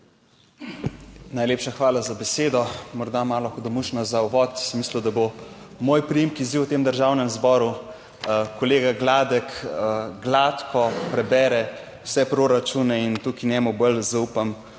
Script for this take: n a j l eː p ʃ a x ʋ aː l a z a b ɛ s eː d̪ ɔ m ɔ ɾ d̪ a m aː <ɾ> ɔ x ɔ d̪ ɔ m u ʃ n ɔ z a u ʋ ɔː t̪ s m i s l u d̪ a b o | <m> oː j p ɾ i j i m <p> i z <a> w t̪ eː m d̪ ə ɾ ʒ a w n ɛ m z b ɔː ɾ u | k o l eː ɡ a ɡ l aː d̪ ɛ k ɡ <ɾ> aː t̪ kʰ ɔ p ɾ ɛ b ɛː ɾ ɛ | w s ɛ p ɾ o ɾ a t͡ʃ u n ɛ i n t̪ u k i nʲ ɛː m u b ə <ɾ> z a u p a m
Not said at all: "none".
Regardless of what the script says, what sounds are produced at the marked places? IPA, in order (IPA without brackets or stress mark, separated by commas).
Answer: l, m, k, i, l, l